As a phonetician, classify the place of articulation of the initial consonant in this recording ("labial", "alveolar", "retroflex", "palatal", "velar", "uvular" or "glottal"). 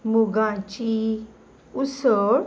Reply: labial